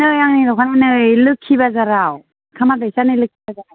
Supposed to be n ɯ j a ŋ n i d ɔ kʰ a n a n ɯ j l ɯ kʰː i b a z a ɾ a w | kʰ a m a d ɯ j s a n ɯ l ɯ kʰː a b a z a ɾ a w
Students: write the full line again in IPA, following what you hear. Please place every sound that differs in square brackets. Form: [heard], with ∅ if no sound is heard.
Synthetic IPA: n ɯ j a ŋ n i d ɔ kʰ a n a n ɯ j l ɯ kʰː i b a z a ɾ a w | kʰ a m a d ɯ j s a n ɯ l ɯ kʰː [i] b a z a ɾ a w